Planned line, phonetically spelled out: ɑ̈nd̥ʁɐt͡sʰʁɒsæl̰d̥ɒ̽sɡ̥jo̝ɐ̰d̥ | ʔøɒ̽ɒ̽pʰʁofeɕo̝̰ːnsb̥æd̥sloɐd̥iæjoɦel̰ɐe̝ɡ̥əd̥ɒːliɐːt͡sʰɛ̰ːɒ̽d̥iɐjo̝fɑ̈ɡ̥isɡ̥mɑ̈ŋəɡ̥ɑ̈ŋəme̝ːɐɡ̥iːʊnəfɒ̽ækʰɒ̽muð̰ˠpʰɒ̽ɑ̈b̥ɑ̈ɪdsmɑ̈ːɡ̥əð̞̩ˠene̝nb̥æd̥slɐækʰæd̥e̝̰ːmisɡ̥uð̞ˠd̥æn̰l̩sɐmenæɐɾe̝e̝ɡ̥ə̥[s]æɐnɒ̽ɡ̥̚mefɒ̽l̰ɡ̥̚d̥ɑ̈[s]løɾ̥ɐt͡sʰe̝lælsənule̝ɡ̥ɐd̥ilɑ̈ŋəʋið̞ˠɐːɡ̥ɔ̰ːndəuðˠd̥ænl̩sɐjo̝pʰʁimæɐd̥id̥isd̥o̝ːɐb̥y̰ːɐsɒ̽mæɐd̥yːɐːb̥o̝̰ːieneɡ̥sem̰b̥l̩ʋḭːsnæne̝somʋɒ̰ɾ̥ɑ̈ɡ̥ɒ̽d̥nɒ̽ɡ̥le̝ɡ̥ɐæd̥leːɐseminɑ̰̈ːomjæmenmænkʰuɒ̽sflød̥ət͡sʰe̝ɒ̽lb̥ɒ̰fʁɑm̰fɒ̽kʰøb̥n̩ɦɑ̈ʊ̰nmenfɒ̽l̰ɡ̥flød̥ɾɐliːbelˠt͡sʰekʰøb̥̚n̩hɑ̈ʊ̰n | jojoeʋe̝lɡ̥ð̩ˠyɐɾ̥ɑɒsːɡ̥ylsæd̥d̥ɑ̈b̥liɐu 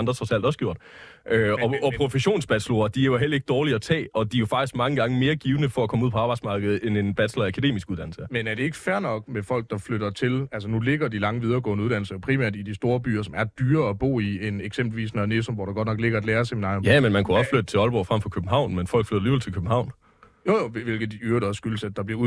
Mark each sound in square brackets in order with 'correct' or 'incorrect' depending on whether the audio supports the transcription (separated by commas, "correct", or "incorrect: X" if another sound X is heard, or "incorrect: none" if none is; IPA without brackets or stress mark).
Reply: incorrect: f, incorrect: f